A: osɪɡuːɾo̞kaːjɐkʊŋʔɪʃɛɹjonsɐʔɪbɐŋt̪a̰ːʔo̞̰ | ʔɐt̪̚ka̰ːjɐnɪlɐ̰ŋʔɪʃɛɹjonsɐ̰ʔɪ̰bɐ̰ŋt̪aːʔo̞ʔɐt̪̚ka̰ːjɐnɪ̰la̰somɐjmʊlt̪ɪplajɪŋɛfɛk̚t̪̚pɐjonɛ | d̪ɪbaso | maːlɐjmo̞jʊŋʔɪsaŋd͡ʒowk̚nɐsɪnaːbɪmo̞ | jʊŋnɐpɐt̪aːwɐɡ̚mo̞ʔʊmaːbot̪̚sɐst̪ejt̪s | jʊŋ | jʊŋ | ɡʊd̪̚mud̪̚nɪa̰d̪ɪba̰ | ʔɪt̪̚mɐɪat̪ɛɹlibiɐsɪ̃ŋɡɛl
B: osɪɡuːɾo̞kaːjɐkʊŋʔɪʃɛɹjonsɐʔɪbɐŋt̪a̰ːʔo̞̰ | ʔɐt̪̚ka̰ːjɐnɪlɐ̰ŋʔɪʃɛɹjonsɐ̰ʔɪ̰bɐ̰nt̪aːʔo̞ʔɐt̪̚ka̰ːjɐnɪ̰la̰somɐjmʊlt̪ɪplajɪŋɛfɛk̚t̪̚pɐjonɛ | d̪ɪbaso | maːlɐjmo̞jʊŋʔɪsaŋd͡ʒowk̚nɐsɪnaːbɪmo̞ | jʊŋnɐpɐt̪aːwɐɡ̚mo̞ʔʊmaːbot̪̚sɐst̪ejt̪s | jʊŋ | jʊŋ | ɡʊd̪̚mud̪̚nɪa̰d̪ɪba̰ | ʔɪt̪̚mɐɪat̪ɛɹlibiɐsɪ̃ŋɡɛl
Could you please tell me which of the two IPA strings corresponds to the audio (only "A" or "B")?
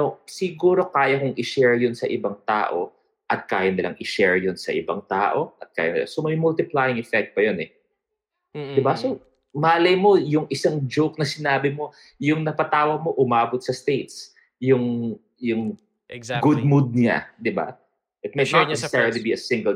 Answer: A